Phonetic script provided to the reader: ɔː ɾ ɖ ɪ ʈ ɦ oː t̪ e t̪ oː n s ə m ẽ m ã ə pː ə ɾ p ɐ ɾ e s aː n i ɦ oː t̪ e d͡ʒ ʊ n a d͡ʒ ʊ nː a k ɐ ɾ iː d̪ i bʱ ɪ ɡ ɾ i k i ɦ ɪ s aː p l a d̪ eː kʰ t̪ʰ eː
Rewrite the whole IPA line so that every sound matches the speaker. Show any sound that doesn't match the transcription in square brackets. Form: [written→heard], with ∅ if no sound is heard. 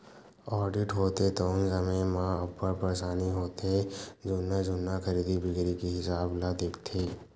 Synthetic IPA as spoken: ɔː ɾ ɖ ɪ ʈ ɦ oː t̪ e t̪ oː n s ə m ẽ m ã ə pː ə ɾ p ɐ ɾ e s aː n i ɦ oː t̪ e d͡ʒ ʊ n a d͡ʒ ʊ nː a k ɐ ɾ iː d̪ i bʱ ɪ ɡ ɾ i k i ɦ ɪ s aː [p→b] l a d̪ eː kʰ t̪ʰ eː